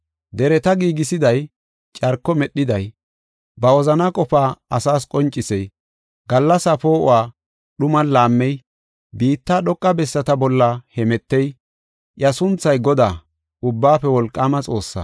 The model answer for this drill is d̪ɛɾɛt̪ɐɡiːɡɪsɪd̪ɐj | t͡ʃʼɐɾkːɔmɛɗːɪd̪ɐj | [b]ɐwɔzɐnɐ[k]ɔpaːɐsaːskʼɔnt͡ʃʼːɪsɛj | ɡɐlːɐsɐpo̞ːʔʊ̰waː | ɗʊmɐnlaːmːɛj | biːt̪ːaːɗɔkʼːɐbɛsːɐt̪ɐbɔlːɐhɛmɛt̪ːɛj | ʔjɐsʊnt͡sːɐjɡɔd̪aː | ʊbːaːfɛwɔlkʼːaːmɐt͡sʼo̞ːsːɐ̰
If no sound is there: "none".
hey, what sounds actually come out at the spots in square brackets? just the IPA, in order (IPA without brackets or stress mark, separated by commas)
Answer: b, kʼ